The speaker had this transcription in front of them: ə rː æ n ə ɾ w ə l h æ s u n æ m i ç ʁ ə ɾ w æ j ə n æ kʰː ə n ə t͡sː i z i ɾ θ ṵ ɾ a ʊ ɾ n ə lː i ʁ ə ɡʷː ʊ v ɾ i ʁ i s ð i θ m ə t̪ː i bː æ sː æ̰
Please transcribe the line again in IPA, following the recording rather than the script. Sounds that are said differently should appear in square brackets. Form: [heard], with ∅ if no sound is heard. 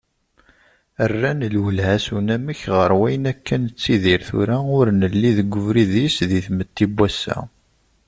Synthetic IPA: ə rː æ n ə [l] w ə l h æ s u n æ m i ç ʁ ə ɾ w æ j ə n æ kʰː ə n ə t͡sː i [ð] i ɾ θ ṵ ɾ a ʊ ɾ n ə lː i [ð] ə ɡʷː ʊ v ɾ i [ð] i s ð i θ m ə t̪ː i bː æ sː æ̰